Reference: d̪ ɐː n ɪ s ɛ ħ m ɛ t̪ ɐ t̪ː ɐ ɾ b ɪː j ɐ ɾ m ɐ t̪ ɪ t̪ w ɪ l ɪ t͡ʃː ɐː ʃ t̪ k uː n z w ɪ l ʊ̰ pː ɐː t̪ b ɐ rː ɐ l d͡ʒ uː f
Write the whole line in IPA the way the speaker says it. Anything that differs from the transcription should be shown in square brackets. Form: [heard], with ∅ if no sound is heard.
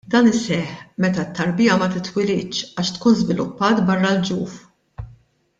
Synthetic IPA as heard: d̪ ɐː n ɪ s ɛ ħ m ɛ t̪ ɐ t̪ː ɐ ɾ b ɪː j ɐ [∅] m ɐ t̪ ɪ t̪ w ɪ l ɪ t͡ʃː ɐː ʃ t̪ k uː n z [v] ɪ l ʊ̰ pː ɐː t̪ b ɐ rː ɐ l d͡ʒ uː f

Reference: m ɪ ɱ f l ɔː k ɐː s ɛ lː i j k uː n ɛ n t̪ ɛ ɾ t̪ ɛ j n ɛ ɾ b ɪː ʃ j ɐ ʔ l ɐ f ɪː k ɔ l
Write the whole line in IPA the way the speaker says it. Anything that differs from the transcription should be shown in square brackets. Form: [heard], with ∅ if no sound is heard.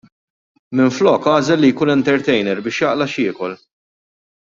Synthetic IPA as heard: m ɪ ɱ f l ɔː k ɐː [z] ɛ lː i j k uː n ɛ n t̪ ɛ ɾ t̪ ɛ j n ɛ ɾ b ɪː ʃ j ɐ ʔ l ɐ [ʃ] ɪː k ɔ l

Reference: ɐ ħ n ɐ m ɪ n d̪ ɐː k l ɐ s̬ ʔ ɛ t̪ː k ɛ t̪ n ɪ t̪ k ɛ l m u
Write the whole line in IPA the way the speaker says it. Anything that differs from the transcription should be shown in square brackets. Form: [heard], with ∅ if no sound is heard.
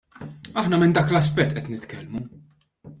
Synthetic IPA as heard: ɐ ħ n ɐ m ɪ n d̪ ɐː k l ɐ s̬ [p] ɛ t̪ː [ʔ] ɛ t̪ n ɪ t̪ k ɛ l m u

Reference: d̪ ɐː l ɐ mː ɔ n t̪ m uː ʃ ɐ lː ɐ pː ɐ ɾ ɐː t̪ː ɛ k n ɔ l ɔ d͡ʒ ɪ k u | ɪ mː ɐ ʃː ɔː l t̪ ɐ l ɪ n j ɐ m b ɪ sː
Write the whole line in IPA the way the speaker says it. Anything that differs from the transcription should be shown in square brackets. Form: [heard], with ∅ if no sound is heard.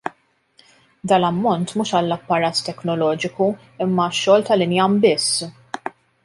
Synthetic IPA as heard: d̪ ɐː l ɐ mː ɔ n t̪ m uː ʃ ɐ lː ɐ pː ɐ ɾ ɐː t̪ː ɛ k n ɔ l [ɔː] d͡ʒ ɪ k u | ɪ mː ɐ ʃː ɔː l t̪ ɐ l ɪ n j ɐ m b ɪ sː

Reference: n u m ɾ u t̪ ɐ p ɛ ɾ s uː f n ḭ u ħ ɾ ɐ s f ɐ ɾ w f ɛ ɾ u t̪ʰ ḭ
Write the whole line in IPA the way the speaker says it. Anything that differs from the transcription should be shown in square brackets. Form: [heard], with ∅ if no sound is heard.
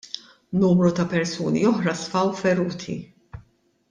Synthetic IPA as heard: n [uː] m ɾ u t̪ ɐ p ɛ ɾ s uː [∅] n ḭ [ɔ] ħ ɾ ɐ s f ɐ [∅] w f ɛ ɾ [uː] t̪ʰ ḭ

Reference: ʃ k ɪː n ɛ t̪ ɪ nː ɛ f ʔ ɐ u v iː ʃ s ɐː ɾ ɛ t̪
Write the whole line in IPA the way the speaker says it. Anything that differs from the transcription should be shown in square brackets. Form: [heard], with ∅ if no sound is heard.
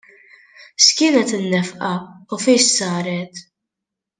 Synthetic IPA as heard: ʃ k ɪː n ɛ t̪ ɪ nː ɛ f ʔ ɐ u [f] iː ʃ s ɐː ɾ ɛ t̪

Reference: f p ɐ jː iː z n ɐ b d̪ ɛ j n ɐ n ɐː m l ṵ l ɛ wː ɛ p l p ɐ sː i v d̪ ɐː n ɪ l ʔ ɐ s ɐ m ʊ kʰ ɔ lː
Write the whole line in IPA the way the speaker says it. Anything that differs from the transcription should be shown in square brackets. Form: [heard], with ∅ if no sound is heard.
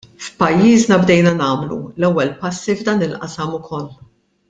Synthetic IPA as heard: f p ɐ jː iː z n ɐ b d̪ ɛ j n ɐ n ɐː m l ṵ l ɛ wː ɛ [∅] l p ɐ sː i v d̪ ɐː n ɪ l ʔ ɐ s ɐ m ʊ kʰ ɔ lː

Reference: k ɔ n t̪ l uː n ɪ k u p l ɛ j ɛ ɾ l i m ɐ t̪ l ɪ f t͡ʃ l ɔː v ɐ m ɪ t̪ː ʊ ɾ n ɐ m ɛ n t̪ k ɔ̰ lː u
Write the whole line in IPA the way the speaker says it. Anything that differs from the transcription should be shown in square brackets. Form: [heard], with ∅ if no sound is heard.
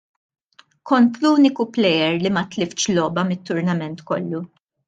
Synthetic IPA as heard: k ɔ n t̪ l uː n ɪ k u p l ɛ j ɛ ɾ l i m ɐ t̪ l ɪ f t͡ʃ l ɔː [b] ɐ m ɪ t̪ː ʊ ɾ n ɐ m ɛ n t̪ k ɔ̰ lː u

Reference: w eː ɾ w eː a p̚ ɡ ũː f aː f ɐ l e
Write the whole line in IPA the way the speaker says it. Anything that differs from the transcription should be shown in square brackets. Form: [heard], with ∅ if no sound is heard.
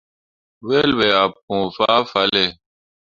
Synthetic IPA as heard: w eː [l] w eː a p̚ [k] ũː f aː f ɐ l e

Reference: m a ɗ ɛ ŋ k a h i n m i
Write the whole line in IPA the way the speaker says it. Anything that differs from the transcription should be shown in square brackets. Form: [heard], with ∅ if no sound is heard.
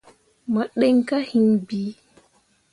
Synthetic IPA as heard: m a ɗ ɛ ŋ k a h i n [b] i

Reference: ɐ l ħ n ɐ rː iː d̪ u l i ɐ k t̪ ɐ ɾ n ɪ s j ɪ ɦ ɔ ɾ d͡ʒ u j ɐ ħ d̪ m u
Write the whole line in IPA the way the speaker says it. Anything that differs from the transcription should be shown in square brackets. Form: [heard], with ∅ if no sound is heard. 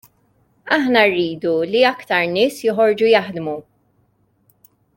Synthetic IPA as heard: ɐ [∅] ħ n ɐ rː iː d̪ u l i ɐ k t̪ ɐ ɾ n [ɪː] s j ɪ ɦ ɔ ɾ d͡ʒ u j ɐ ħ d̪ m u

